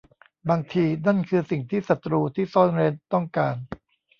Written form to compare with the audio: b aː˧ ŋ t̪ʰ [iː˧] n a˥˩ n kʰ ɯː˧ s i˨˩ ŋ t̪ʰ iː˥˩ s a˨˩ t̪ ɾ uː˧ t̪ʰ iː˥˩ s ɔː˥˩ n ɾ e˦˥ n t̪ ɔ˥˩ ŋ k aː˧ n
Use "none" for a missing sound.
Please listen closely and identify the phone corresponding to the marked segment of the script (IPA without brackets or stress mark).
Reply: iː˧